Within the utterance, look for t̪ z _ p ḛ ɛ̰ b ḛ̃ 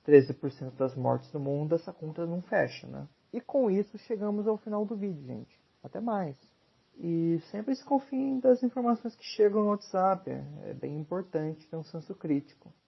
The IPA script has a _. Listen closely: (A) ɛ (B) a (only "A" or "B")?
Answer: B